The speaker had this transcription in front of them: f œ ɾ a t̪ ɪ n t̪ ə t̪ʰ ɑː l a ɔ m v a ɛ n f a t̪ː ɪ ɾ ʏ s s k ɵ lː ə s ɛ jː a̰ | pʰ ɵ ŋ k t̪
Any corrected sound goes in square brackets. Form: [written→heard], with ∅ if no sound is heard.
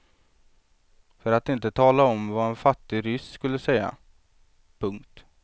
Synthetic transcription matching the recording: f œ ɾ a t̪ ɪ n t̪ ə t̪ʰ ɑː l a ɔ m v a ɛ n f a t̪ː ɪ ɾ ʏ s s k ɵ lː ə s ɛ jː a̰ | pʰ ɵ ŋ k t̪